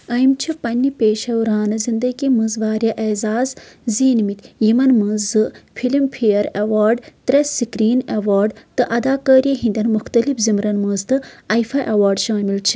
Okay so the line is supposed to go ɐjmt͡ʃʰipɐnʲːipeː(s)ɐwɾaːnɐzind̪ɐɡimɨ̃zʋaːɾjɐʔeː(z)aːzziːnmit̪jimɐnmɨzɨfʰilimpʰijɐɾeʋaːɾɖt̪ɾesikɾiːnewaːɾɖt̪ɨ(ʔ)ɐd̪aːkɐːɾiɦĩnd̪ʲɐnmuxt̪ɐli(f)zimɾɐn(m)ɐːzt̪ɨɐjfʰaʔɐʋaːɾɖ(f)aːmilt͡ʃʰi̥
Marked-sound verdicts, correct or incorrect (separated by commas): incorrect, correct, correct, correct, correct, incorrect